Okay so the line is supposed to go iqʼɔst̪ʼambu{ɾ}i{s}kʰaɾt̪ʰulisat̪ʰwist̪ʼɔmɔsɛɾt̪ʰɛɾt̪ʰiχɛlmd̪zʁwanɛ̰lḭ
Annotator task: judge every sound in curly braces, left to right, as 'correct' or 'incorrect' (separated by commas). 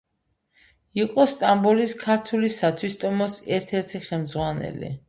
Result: incorrect, correct